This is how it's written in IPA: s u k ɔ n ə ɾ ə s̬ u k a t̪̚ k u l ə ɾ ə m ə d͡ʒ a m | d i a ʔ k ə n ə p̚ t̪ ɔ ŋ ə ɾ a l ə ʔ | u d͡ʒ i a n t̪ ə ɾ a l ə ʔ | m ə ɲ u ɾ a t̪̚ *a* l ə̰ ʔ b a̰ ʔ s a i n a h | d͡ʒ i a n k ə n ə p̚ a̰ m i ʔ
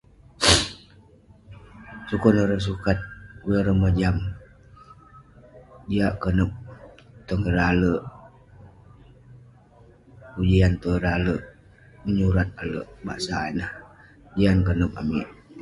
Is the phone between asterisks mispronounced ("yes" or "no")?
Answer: no